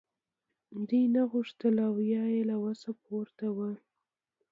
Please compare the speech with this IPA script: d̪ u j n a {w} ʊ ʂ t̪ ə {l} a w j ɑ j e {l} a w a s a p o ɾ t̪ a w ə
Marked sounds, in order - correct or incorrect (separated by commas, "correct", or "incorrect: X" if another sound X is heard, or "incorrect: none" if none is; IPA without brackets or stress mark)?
incorrect: ɣ, correct, correct